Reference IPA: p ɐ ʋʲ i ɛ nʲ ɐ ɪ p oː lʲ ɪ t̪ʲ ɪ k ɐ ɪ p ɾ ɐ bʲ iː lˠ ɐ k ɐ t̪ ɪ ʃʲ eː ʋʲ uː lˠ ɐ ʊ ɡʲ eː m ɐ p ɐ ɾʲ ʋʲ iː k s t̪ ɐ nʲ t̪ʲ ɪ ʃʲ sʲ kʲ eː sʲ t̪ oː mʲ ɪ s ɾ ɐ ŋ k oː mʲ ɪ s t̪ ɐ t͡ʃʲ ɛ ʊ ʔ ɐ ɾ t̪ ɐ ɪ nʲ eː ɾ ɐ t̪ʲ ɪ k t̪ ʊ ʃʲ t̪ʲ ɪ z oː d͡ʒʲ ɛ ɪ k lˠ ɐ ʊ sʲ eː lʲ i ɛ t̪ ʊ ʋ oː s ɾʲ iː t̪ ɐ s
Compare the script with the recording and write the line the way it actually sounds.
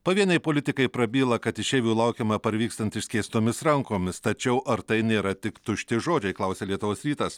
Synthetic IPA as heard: p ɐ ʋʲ i ɛ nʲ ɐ ɪ p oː lʲ ɪ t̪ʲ ɪ k ɐ ɪ p ɾ ɐ bʲ iː lˠ ɐ k ɐ t̪ ɪ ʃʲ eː ʋʲ uː lˠ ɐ ʊ kʲ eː m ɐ p ɐ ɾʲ ʋʲ iː k s t̪ ɐ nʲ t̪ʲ ɪ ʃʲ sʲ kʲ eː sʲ t̪ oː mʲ ɪ s ɾ ɐ ŋ k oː mʲ ɪ s t̪ ɐ t͡ʃʲ ɛ ʊ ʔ ɐ ɾ t̪ ɐ ɪ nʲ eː ɾ ɐ t̪ʲ ɪ k t̪ ʊ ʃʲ t̪ʲ ɪ ʒ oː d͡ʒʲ ɛ ɪ k lˠ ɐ ʊ sʲ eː lʲ i ɛ t̪ ʊ ʋ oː s ɾʲ iː t̪ ɐ s